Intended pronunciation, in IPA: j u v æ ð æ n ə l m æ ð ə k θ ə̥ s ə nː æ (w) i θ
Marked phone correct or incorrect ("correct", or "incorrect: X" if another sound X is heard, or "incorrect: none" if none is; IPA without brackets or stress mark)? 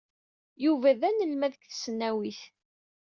correct